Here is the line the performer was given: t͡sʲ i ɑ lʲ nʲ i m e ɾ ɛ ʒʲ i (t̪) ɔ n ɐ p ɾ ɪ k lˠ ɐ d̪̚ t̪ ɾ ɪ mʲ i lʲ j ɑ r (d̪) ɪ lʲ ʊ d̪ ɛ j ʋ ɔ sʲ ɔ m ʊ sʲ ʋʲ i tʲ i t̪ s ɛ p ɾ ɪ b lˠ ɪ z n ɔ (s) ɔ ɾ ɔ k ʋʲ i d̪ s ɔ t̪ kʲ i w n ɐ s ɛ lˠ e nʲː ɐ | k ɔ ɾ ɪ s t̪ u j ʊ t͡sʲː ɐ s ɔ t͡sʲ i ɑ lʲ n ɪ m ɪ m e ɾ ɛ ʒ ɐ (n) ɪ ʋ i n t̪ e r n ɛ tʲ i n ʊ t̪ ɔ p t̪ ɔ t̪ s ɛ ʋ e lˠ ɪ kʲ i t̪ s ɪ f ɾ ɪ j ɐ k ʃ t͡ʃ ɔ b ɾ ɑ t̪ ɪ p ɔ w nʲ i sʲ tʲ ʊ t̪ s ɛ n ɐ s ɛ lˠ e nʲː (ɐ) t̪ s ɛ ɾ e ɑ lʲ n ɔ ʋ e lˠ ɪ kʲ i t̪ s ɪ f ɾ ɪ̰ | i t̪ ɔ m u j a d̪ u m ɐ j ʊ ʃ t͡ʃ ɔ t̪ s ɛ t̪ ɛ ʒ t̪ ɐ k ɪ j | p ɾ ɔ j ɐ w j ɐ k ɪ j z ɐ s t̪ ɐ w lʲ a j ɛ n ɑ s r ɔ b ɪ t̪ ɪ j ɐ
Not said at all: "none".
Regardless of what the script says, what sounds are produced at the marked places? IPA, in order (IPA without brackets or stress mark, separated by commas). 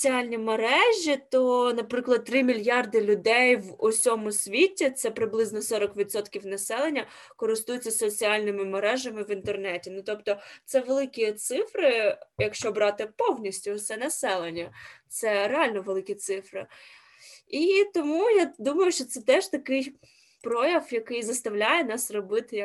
t̪, d̪, s, m, ɐ